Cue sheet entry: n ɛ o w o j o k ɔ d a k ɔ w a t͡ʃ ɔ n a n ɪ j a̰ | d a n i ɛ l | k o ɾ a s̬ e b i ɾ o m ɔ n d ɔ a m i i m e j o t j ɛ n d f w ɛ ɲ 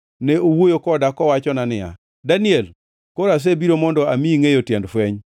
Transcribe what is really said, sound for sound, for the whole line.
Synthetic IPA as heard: n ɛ o w o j o k ɔ d a k ɔ w a t͡ʃ ɔ n a n ɪ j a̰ | d a n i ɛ l | k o ɾ a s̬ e b i ɾ o m ɔ n d ɔ a m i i ŋ e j o t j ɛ n d f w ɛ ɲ